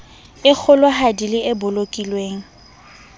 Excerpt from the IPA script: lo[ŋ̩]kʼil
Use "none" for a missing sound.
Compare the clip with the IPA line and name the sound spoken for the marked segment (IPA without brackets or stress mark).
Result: none